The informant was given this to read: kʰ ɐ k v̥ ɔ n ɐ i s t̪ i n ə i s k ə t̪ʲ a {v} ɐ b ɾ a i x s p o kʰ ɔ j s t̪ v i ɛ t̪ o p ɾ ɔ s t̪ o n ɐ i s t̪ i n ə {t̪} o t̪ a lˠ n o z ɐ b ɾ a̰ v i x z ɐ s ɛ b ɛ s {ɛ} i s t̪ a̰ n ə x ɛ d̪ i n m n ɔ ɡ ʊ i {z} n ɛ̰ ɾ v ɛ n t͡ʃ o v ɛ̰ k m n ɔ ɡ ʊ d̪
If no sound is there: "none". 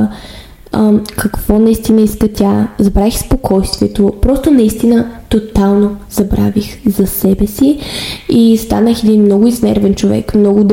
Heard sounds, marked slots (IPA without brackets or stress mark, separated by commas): z, t̪, i, z